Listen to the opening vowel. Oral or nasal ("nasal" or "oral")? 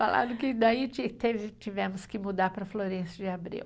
oral